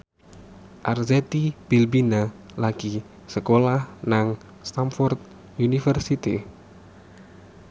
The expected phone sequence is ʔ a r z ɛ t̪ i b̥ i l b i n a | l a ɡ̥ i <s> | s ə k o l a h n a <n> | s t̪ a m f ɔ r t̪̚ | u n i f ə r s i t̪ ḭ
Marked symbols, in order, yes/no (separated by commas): no, no